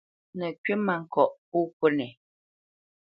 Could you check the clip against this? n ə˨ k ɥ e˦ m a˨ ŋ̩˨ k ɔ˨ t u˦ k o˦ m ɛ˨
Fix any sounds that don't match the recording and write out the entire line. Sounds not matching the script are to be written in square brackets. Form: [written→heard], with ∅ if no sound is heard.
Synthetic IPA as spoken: n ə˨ k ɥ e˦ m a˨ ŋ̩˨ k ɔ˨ [t→ʔ] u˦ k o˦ [m→n] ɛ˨